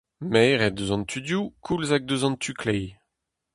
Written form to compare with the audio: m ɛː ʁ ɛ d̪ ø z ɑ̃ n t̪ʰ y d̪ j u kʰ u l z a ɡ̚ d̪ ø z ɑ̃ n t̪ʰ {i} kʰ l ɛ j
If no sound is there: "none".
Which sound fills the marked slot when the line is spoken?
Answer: y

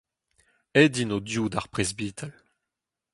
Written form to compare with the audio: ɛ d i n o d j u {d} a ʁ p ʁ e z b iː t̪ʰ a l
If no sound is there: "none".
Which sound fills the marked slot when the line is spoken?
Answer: d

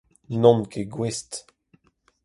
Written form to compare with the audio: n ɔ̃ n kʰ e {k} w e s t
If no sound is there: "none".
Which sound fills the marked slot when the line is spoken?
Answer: ɡ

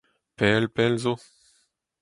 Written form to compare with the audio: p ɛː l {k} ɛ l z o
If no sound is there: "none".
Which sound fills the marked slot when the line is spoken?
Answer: p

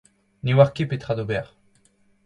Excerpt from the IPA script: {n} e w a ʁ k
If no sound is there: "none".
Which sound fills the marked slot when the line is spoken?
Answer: n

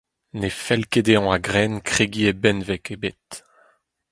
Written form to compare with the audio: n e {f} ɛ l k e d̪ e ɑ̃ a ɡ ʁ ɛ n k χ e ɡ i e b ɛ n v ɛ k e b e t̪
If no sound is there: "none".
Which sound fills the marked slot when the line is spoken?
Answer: f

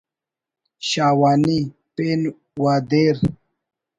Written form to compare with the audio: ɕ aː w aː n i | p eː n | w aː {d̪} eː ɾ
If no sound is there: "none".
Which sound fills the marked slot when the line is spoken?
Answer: d̪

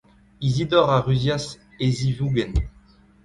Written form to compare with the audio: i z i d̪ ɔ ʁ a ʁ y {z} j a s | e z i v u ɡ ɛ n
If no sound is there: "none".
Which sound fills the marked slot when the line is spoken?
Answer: z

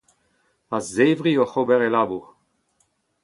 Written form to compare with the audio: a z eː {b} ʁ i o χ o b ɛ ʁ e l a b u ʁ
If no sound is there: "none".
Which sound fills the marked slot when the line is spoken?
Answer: v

